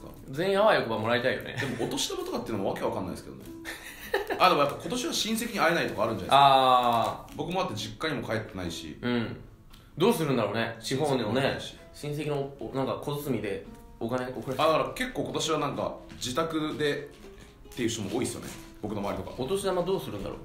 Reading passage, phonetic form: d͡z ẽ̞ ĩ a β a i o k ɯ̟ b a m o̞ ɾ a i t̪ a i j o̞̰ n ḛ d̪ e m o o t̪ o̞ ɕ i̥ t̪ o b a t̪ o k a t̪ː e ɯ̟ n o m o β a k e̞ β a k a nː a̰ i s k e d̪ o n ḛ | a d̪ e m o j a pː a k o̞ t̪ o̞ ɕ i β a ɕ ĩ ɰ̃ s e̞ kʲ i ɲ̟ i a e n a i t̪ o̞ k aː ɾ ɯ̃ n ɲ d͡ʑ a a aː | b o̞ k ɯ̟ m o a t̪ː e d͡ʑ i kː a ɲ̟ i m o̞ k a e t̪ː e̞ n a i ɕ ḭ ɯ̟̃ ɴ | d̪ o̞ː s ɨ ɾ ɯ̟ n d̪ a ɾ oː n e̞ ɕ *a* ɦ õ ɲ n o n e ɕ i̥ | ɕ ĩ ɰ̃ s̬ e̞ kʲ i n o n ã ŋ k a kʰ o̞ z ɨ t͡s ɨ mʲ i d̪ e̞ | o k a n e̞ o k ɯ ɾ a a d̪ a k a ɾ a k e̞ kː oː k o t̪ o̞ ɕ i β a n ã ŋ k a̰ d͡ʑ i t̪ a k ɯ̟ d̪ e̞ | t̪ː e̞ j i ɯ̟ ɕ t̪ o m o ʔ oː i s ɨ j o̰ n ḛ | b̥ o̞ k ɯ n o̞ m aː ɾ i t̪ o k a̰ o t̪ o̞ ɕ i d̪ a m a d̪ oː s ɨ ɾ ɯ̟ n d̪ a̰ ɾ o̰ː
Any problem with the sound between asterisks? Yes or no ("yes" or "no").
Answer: yes